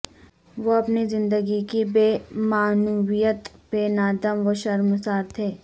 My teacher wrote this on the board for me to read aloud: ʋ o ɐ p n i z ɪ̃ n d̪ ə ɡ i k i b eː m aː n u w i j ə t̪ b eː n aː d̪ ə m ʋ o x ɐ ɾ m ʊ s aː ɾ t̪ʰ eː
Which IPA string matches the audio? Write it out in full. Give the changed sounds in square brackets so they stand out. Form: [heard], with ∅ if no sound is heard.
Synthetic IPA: ʋ o ɐ p n i z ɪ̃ n d̪ ə ɡ i k i b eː m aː n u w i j ə t̪ b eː n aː d̪ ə m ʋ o [ʃ] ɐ ɾ m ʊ s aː ɾ t̪ʰ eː

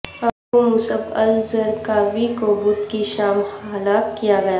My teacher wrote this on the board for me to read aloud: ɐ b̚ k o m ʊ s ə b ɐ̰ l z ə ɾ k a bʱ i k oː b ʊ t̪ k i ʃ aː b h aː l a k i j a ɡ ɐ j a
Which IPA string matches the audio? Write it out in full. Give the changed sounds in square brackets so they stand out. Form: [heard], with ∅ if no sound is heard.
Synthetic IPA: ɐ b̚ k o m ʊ s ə b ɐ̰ l z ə ɾ k a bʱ i k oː b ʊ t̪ k i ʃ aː [m] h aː l a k i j a ɡ ɐ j a

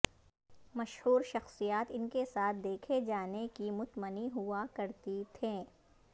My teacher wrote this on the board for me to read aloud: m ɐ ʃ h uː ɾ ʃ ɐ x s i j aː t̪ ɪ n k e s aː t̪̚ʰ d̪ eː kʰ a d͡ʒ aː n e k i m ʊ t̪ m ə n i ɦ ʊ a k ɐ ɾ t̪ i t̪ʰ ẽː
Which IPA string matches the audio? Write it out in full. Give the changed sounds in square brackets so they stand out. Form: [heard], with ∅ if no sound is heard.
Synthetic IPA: m ɐ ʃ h uː ɾ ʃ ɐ x s i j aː t̪ ɪ n k e s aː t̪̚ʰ d̪ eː kʰ [e] d͡ʒ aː n e k i m ʊ t̪ m ə n i ɦ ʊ a k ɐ ɾ t̪ i t̪ʰ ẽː

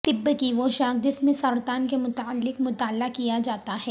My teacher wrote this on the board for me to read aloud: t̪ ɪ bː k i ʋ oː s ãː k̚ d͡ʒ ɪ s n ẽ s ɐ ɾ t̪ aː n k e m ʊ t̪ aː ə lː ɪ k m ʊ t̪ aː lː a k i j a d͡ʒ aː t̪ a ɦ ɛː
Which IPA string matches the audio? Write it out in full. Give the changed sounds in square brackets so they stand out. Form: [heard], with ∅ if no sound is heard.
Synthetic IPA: t̪ ɪ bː k i ʋ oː [ʃ] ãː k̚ d͡ʒ ɪ s [m] ẽ s ɐ ɾ t̪ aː n k e m ʊ t̪ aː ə lː ɪ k m ʊ t̪ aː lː a k i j a d͡ʒ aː t̪ a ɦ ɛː

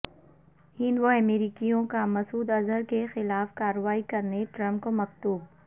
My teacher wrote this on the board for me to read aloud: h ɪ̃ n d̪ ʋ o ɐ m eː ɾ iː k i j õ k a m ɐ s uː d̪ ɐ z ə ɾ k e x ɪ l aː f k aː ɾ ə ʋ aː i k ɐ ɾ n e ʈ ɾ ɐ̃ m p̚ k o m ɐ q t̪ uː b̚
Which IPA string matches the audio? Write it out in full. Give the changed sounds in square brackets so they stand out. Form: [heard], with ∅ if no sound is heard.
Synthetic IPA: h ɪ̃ n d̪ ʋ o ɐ m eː ɾ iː k i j õ k a m ɐ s uː d̪ ɐ z ə ɾ k e x ɪ l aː f k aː ɾ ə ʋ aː i k ɐ ɾ n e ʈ ɾ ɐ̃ m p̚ k o m ɐ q t̪ uː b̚

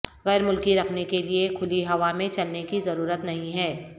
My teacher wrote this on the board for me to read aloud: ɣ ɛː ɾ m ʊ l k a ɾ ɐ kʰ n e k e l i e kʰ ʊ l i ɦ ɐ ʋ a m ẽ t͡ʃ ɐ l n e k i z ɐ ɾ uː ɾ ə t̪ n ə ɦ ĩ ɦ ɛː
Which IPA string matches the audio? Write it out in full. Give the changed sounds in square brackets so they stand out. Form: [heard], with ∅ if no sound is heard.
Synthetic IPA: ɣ ɛː ɾ m ʊ l k [i] ɾ ɐ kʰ n e k e l i e kʰ ʊ l i ɦ ɐ ʋ a m ẽ t͡ʃ ɐ l n e k i z ɐ ɾ uː ɾ ə t̪ n [ɐ] ɦ ĩ ɦ ɛː

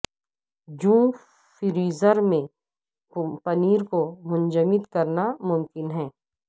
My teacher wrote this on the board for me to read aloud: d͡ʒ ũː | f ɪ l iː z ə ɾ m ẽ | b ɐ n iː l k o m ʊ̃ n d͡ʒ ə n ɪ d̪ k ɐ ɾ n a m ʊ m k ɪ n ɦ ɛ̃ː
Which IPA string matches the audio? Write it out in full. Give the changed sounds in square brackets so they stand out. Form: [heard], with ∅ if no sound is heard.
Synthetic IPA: d͡ʒ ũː | f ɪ [ɾ] iː z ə ɾ m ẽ | [p] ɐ n iː [ɾ] k o m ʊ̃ n d͡ʒ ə [m] ɪ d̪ k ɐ ɾ n a m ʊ m k ɪ n ɦ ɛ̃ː

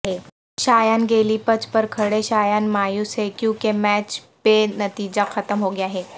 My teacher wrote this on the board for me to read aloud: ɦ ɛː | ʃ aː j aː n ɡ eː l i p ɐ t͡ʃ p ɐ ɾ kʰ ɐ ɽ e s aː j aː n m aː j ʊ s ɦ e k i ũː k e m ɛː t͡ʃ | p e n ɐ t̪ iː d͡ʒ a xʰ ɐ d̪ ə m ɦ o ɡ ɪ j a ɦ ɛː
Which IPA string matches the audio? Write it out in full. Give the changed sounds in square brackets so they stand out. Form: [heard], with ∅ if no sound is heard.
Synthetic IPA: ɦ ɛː | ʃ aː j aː n ɡ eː l i p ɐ t͡ʃ p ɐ ɾ kʰ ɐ ɽ e [ʃ] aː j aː n m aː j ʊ s ɦ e k [j] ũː k e m ɛː t͡ʃ | p e n ɐ t̪ iː d͡ʒ a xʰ ɐ [t̪] ə m ɦ o ɡ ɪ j a ɦ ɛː

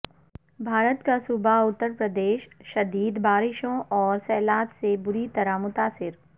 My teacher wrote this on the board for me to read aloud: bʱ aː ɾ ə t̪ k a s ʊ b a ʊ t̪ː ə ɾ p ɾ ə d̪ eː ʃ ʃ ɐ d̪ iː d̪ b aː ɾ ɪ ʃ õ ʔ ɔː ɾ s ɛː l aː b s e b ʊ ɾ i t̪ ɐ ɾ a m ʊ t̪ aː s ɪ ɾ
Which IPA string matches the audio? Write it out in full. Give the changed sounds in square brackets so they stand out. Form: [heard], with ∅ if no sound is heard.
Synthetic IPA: bʱ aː ɾ ə t̪ k a s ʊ b a ʊ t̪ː ə ɾ p ɾ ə d̪ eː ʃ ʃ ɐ d̪ iː d̪ b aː ɾ ɪ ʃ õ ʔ ɔː ɾ s ɛː l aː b s e b ʊ ɾ i t̪ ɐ ɾ a m ʊ t̪ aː s ɪ ɾ

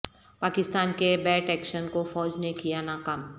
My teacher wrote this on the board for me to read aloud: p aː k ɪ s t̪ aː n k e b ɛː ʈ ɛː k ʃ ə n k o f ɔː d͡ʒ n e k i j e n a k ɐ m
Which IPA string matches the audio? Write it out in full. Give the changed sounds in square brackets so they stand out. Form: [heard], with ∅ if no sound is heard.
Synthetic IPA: p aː k ɪ s t̪ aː n k e b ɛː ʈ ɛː k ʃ ə n k o f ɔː d͡ʒ n e k i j [a] n a k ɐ m

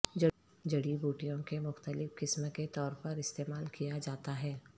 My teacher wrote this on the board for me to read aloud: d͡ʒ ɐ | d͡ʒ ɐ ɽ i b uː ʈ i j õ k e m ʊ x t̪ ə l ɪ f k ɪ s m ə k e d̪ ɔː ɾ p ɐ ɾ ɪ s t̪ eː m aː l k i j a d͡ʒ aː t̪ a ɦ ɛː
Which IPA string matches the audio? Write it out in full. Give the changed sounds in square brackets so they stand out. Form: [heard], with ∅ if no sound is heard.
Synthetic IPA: d͡ʒ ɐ | d͡ʒ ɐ ɽ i b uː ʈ i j õ k e m ʊ x t̪ ə l ɪ f k ɪ s m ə k e [t̪] ɔː ɾ p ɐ ɾ ɪ s t̪ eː m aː l k i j a d͡ʒ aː t̪ a ɦ ɛː

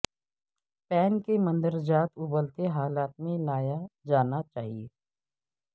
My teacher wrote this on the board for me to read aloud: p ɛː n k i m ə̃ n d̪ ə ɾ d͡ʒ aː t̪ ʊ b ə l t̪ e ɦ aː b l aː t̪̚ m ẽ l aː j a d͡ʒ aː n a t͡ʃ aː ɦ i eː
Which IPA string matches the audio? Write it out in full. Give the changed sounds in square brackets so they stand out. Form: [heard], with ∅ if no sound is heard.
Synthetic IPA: p ɛː n k [e] m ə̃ n d̪ ə ɾ d͡ʒ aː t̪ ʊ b ə l t̪ e ɦ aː [∅] l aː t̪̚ m ẽ l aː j a d͡ʒ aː n a t͡ʃ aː ɦ i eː

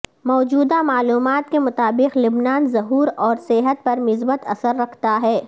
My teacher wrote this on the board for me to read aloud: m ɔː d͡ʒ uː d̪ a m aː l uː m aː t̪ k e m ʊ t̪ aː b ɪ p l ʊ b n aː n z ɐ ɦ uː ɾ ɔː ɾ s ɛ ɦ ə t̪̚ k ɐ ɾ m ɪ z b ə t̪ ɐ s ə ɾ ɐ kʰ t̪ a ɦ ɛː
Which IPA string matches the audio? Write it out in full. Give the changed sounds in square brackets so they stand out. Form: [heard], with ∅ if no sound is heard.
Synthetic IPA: m ɔː d͡ʒ uː d̪ a m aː l uː m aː t̪ k e m ʊ t̪ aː b ɪ [q] l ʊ b n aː n z ɐ ɦ uː ɾ ɔː ɾ s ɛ ɦ ə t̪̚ [p] ɐ ɾ m ɪ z b ə t̪ ɐ s ə [ɾː] ɐ kʰ t̪ a ɦ ɛː

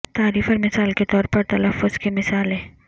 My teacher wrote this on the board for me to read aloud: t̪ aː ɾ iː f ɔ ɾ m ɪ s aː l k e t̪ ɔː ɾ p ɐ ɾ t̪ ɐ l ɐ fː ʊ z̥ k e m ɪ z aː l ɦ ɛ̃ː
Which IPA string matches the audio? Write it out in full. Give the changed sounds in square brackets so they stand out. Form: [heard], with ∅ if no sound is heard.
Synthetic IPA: t̪ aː ɾ iː f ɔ ɾ m ɪ s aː l k e t̪ ɔː ɾ p ɐ ɾ t̪ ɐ l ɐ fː ʊ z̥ k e m ɪ [s] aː l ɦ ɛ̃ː

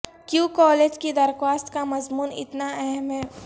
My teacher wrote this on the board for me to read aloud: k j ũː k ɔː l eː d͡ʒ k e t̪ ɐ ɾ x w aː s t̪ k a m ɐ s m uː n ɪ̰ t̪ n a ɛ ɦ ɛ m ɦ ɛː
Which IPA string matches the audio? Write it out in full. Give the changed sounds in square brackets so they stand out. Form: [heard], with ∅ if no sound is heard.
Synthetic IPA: k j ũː k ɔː l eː d͡ʒ k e [d̪] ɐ ɾ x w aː s t̪ k a m ɐ [z] m uː n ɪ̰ t̪ n a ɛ ɦ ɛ m ɦ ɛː

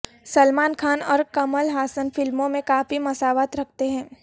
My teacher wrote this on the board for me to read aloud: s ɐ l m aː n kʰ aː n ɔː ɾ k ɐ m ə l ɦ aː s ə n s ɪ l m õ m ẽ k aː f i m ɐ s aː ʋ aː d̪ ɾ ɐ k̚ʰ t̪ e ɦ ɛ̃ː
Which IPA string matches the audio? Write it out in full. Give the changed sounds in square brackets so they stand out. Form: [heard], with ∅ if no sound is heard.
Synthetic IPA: s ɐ l m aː n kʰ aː n ɔː ɾ k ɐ m ə l ɦ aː s ə n [f] ɪ l m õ m ẽ k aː f i m ɐ s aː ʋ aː [t̪] ɾ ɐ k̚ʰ t̪ e ɦ ɛ̃ː

